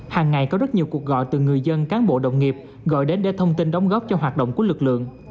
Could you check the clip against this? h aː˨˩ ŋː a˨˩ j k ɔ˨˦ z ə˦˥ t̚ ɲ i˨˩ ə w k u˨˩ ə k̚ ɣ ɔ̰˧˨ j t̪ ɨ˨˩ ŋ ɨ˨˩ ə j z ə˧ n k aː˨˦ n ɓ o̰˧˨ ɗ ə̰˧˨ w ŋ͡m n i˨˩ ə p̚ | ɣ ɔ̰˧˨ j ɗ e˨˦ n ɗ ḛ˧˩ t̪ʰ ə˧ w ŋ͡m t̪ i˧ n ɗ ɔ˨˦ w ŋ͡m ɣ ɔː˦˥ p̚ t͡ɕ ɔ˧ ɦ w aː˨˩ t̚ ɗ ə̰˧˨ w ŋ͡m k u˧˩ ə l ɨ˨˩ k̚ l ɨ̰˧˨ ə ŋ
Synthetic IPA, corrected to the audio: h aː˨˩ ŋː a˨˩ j k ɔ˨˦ z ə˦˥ t̚ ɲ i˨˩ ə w k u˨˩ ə k̚ ɣ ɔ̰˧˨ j t̪ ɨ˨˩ ŋ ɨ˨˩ ə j z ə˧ n k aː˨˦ n ɓ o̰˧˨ ɗ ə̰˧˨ w ŋ͡m ŋ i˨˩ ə p̚ | ɣ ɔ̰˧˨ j ɗ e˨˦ n ɗ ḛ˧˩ t̪ʰ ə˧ w ŋ͡m t̪ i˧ n ɗ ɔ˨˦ w ŋ͡m ɣ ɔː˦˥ p̚ t͡ɕ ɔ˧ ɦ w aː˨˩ t̚ ɗ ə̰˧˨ w ŋ͡m k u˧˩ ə l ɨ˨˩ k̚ l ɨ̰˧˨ ə ŋ